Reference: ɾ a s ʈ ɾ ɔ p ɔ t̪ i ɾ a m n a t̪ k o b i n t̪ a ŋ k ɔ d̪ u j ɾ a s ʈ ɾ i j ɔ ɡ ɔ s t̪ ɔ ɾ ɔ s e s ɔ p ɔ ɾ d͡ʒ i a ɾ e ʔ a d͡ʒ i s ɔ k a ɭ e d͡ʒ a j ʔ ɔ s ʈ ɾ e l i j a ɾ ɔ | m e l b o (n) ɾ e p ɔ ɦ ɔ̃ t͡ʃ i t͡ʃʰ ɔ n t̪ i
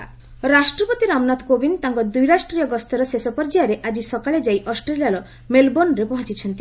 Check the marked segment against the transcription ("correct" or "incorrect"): correct